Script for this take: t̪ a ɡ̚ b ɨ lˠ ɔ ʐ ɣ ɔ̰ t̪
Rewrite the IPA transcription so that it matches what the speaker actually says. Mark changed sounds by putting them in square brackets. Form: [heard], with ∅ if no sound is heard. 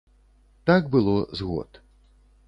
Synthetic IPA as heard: t̪ a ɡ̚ b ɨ lˠ ɔ [z] ɣ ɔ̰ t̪